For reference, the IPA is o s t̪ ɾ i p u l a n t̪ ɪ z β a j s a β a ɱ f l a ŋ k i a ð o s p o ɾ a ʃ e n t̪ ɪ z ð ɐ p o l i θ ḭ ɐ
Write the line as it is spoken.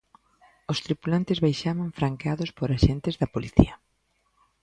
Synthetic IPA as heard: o s t̪ ɾ i p u l a n t̪ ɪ z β a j ʃ a β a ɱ f ɾ a ŋ k e a ð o s p o ɾ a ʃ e n t̪ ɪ z ð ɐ p o l i θ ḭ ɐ